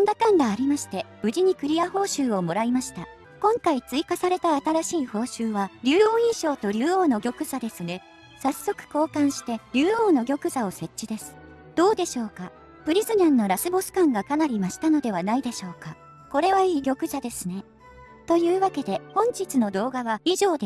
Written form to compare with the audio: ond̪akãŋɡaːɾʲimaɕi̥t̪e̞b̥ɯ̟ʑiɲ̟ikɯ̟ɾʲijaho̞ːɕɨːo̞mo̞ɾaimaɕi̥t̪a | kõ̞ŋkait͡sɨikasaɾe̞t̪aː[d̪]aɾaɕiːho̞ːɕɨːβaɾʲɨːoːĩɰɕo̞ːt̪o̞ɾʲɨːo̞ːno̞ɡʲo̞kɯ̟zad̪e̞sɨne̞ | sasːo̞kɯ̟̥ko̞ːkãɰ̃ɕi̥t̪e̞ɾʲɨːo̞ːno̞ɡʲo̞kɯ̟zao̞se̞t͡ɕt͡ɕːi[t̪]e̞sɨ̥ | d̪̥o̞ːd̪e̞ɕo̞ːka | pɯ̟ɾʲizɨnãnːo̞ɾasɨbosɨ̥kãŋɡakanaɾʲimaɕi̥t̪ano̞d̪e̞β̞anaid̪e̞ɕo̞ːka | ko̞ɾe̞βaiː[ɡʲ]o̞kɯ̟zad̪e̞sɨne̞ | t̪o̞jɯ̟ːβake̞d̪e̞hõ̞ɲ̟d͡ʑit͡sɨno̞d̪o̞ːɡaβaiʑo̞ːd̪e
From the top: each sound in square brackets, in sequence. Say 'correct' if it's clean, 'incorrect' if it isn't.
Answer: incorrect, incorrect, correct

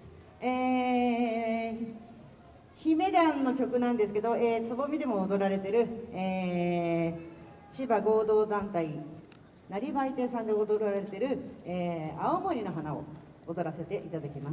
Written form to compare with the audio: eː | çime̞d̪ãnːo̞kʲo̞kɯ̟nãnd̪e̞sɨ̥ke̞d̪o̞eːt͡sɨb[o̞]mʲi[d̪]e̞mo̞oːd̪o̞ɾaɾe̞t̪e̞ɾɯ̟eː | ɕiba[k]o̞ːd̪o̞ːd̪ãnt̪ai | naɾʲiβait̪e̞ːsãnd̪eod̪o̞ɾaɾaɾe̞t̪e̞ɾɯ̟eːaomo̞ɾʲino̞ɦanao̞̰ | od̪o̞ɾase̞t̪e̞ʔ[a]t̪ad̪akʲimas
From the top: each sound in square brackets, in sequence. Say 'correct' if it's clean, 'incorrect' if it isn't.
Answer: correct, correct, incorrect, incorrect

